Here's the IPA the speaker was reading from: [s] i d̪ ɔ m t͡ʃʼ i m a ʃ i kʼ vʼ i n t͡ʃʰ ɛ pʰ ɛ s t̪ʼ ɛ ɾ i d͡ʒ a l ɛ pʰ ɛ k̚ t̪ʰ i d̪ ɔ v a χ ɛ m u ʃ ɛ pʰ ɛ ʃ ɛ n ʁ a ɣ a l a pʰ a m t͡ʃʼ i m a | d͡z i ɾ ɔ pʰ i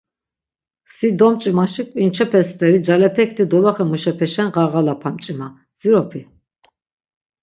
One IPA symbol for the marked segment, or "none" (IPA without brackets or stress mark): s